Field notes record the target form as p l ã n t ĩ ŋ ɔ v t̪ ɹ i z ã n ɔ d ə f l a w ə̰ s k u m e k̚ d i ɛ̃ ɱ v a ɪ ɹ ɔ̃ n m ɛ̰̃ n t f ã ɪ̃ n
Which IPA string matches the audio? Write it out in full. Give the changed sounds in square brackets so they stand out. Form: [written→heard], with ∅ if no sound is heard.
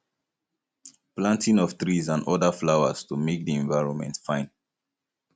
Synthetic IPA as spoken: p l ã n t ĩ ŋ ɔ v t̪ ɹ i z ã n ɔ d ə f l a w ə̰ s [k→t] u m e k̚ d i ɛ̃ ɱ v a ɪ ɹ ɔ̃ n m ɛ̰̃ n t f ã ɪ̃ n